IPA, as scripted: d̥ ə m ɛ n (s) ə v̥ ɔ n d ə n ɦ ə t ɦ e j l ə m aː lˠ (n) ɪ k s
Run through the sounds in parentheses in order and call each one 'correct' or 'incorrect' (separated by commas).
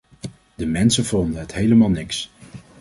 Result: correct, correct